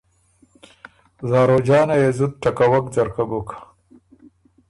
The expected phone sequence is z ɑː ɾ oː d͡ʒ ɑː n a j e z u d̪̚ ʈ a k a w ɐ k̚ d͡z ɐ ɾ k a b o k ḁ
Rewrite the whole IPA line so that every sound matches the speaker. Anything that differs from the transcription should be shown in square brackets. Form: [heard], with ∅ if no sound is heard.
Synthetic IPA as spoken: z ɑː ɾ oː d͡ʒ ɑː n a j e z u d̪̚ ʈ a k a w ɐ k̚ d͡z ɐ ɾ k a b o k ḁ